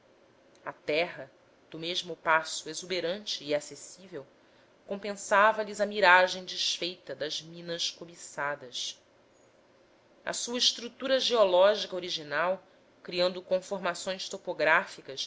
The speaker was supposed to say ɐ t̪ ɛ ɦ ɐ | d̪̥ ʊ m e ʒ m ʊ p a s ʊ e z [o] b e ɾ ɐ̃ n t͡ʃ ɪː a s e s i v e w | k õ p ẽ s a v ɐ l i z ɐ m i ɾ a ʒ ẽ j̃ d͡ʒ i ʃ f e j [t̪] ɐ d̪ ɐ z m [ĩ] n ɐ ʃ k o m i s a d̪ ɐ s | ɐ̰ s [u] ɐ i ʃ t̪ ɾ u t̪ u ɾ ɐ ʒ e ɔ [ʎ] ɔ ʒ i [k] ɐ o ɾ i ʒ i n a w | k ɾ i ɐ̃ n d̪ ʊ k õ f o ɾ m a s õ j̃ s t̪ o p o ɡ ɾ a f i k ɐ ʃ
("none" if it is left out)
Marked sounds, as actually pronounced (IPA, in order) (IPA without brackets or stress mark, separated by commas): u, t̪, ĩ, u, l, k